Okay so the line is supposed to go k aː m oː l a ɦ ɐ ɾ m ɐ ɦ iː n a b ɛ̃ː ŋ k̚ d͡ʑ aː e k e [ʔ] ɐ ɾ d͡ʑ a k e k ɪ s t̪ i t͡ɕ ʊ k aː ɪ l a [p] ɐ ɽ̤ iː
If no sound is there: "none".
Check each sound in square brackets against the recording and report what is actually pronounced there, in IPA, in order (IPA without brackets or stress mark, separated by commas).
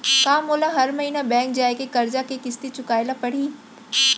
k, p